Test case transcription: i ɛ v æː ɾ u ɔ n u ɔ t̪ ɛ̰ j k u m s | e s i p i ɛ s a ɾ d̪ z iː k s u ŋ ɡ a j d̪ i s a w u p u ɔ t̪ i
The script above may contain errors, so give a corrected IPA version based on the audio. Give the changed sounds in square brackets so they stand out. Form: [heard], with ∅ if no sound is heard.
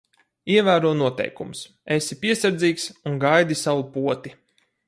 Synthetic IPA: i ɛ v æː ɾ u ɔ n u ɔ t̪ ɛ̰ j k u m s | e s i p i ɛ s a ɾ d̪ z iː k s u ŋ ɡ a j d̪ i s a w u p u ɔ t̪ i